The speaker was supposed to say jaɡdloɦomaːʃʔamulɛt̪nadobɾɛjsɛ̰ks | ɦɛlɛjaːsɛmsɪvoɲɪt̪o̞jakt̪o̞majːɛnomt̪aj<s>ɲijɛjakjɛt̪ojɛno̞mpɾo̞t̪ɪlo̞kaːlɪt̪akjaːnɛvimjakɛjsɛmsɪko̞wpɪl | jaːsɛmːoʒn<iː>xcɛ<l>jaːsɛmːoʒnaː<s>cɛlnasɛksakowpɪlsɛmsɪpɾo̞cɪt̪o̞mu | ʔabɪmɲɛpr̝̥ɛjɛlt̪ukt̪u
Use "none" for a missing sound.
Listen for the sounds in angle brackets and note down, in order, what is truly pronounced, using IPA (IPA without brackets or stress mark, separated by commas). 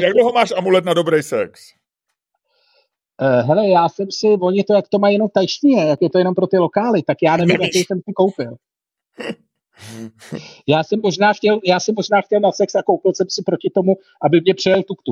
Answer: ʃ, aː, l, x